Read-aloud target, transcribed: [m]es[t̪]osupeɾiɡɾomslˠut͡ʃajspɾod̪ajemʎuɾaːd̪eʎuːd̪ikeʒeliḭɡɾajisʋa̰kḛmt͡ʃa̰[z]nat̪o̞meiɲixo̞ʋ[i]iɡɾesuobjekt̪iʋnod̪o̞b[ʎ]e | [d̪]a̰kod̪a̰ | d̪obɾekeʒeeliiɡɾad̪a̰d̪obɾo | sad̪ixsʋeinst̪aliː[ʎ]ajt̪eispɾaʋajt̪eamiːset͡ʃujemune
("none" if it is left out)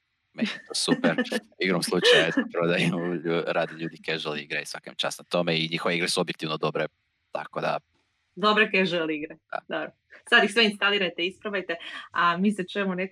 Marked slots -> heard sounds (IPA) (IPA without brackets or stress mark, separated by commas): m, t̪, s, e, ɾ, t̪, ɾ